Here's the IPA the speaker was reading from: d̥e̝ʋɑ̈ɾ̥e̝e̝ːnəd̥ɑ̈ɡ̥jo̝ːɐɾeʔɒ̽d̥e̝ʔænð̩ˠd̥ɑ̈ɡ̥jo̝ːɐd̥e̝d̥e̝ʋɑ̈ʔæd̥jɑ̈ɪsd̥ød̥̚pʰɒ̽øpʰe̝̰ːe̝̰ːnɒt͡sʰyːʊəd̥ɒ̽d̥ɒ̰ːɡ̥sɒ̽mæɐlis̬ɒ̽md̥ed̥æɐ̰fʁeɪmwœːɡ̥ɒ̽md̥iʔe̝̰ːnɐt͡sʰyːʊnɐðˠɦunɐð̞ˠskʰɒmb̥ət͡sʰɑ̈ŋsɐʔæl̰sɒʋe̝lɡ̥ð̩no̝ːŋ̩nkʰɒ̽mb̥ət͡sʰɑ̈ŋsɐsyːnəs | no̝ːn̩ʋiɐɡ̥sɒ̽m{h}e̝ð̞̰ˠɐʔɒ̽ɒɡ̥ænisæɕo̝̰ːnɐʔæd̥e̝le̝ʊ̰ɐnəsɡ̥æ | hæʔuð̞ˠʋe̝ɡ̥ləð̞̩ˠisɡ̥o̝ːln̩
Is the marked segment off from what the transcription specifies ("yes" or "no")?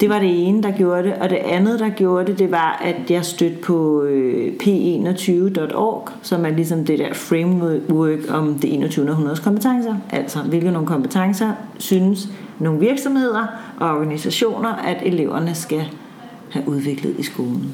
no